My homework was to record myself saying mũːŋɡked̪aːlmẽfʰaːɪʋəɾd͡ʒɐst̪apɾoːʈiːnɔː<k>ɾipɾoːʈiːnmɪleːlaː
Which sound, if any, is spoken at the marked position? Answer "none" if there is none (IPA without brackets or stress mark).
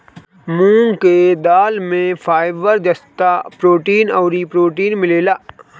none